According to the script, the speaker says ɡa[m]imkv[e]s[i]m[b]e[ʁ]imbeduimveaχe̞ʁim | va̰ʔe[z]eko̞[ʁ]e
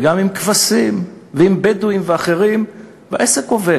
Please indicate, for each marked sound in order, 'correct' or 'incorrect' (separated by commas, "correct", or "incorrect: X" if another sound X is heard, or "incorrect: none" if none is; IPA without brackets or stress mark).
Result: correct, incorrect: a, correct, incorrect: v, incorrect: none, incorrect: s, incorrect: v